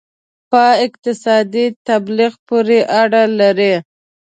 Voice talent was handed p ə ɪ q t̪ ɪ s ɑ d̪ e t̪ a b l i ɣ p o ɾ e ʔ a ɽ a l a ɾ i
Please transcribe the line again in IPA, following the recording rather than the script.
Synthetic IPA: p ə ɪ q t̪ ɪ s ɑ d̪ i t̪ a b l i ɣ p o ɾ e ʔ a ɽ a l a ɾ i